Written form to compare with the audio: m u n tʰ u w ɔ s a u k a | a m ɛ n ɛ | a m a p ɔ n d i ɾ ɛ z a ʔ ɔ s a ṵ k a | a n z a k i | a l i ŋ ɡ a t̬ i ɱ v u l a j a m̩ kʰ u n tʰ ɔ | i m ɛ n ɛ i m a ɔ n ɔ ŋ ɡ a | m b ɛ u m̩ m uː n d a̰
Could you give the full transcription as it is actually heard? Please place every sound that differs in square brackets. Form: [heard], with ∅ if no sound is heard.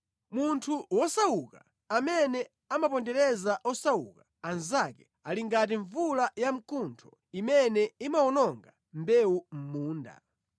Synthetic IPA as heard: m u n tʰ u w ɔ s a u k a | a m ɛ n ɛ | a m a p ɔ n d [ɛ] ɾ ɛ z a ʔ ɔ s a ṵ k a | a n z a k [ɛ] | a l i ŋ ɡ a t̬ i ɱ v u l a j a m̩ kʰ u n tʰ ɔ | i m ɛ n ɛ i m a ɔ n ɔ ŋ ɡ a | m b ɛ u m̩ m uː n d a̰